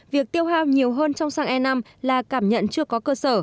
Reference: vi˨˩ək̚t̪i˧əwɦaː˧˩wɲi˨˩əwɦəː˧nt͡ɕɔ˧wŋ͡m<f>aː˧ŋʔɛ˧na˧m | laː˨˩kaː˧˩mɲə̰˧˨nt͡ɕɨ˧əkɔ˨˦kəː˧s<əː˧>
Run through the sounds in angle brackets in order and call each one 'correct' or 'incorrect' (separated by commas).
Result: incorrect, incorrect